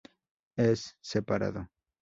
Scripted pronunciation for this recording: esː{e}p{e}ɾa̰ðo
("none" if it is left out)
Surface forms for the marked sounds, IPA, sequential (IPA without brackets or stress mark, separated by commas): e, a